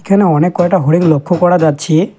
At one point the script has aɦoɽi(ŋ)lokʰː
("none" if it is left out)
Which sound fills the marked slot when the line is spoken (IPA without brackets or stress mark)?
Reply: ŋ